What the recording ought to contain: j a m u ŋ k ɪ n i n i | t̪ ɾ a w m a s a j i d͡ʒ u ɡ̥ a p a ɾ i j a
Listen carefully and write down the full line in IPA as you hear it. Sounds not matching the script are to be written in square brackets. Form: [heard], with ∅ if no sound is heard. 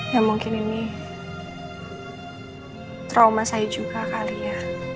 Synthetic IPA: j a m u ŋ k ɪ n i n i | t̪ ɾ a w m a s a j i d͡ʒ u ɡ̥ a [k] a [l] i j a

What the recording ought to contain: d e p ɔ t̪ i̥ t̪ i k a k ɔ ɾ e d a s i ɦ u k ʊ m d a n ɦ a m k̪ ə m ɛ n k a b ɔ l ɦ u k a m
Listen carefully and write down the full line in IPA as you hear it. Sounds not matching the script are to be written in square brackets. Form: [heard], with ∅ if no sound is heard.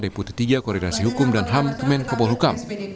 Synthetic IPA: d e p [u] t̪ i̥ t̪ i [ɡ] a k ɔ ɾ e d a s i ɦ u k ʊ m d a n ɦ a m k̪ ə m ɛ n k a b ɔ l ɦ u k a m

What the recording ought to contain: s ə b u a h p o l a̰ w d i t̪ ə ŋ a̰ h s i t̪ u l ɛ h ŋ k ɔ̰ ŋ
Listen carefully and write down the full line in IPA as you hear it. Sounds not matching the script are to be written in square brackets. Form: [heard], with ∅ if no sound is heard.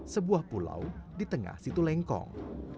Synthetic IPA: s ə b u a h p [u] l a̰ w d i t̪ ə ŋ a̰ h s i t̪ u l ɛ [∅] ŋ k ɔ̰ ŋ

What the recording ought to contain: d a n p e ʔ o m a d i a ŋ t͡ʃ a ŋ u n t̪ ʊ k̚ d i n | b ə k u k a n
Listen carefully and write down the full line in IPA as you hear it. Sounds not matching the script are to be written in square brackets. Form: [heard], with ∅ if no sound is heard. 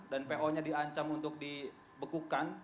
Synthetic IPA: d a n p e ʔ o [ɲ] a d i a [ɲ] t͡ʃ a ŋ u n t̪ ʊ k̚ d i [∅] | b ə k u k a n

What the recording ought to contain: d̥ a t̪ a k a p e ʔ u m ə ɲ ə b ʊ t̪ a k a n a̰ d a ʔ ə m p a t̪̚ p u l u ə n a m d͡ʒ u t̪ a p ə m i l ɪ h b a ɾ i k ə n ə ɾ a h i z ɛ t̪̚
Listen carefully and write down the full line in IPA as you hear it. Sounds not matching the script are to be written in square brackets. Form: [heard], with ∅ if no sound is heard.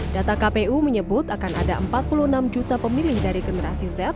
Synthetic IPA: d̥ a t̪ a k a p e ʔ u m ə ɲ ə b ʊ t̪ a k a n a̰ d a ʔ ə m p a t̪̚ p u l u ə n a m d͡ʒ u t̪ a p ə m i l ɪ h [d] a ɾ i [ɡ] ə n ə ɾ a [s] i z ɛ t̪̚

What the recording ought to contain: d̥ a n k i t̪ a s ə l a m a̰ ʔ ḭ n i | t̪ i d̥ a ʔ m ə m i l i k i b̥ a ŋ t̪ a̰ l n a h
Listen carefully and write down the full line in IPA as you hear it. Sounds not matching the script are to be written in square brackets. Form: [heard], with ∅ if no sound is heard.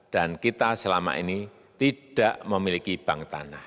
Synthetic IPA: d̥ a n k i t̪ a s ə l a m a̰ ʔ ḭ n i | t̪ i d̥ a ʔ m ə m i l i k i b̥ a ŋ t̪ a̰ [∅] n a h

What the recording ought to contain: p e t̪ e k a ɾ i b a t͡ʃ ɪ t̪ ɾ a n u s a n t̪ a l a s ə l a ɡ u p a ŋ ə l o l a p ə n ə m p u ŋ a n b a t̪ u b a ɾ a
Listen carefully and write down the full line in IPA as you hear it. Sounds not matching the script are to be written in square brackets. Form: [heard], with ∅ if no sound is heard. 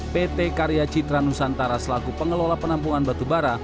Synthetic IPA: p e t̪ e k a ɾ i [∅] a t͡ʃ [i] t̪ ɾ a n u s a n t̪ a [ɾ] a s ə l a ɡ u p [ə] ŋ ə l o l a p ə n [a] m p u ŋ a n b a t̪ u b a ɾ a

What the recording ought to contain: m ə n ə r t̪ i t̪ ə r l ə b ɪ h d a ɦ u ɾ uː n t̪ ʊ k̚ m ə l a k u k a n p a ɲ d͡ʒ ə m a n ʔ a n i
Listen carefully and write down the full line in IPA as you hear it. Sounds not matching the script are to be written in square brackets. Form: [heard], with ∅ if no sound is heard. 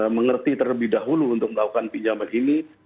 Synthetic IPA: m ə [ŋ] ə r t̪ i t̪ ə r l ə b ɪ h d a ɦ u [l] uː n t̪ ʊ k̚ m ə l a k u k a n p [i] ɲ d͡ʒ [a] m a n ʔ [i] n i

